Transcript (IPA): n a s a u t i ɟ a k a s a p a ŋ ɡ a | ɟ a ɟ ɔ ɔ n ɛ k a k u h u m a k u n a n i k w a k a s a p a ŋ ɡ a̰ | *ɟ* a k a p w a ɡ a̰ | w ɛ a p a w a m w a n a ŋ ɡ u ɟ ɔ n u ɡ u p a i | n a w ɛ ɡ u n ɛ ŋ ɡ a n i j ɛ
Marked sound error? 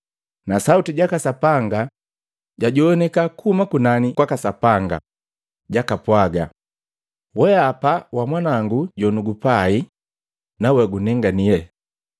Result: no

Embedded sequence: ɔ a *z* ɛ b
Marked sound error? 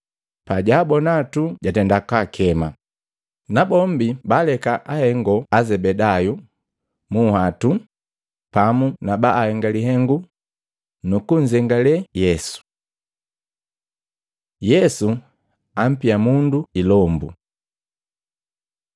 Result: no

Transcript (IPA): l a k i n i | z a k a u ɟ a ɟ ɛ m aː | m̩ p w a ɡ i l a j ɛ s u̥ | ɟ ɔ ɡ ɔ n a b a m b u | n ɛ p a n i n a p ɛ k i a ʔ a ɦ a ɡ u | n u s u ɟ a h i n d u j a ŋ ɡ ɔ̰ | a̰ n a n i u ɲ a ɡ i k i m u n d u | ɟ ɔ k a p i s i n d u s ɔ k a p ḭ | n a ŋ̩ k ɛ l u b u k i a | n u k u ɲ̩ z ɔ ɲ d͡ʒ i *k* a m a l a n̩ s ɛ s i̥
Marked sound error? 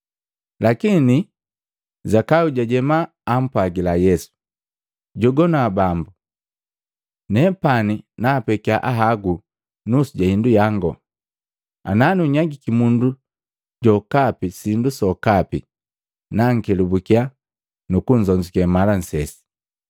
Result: no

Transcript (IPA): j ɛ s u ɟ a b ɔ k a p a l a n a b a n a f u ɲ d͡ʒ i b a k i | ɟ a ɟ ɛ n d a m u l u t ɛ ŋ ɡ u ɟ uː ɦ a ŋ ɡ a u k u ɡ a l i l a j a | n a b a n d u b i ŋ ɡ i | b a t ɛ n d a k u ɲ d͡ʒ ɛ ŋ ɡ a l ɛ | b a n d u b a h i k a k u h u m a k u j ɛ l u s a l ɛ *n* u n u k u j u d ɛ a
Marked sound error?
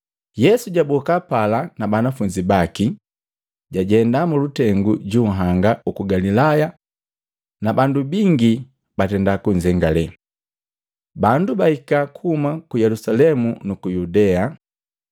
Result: yes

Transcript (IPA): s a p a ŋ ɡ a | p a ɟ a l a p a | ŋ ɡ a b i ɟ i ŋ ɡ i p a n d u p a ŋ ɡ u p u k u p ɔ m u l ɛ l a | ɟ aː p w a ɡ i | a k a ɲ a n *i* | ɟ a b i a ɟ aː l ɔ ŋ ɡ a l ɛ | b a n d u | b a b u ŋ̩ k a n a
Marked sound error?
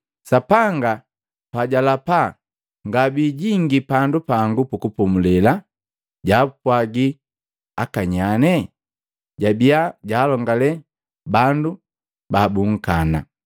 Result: yes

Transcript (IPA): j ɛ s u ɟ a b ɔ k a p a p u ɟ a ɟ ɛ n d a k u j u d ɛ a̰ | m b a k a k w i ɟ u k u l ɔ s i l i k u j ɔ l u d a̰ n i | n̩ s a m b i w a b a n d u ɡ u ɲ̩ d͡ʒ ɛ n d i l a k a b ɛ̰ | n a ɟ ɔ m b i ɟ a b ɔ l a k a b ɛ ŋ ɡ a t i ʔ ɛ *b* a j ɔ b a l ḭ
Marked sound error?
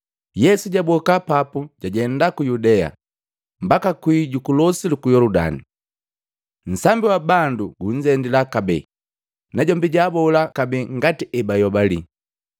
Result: no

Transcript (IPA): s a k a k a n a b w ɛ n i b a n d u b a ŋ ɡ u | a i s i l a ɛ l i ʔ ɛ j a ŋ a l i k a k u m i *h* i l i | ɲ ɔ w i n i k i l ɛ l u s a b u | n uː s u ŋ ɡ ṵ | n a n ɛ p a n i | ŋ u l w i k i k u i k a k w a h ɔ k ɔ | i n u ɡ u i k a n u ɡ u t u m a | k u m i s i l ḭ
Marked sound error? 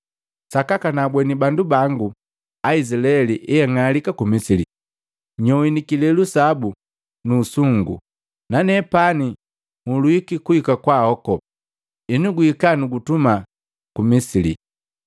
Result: yes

